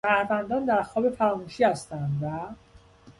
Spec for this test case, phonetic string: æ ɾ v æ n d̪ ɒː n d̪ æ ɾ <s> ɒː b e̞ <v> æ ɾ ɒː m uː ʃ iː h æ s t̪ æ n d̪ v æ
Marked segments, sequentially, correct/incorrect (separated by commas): incorrect, incorrect